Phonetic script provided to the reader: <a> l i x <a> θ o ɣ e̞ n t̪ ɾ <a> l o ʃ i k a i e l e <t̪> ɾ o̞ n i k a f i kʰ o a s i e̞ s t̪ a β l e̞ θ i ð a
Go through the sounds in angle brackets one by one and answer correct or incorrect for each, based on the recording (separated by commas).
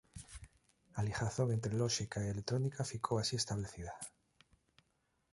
correct, correct, incorrect, correct